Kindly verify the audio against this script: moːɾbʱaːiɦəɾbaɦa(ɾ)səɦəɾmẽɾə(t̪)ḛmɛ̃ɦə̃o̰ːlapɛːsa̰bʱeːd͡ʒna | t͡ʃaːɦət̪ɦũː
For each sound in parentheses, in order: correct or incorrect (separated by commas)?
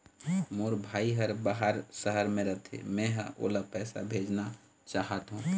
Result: correct, incorrect